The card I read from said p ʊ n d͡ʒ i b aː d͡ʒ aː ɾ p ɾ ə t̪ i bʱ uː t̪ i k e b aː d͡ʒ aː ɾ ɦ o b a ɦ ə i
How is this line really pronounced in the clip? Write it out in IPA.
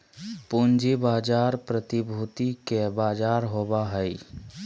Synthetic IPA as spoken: p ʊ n d͡ʒ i b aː d͡ʒ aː ɾ p ɾ ə t̪ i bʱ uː t̪ i k e b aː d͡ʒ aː ɾ ɦ o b a ɦ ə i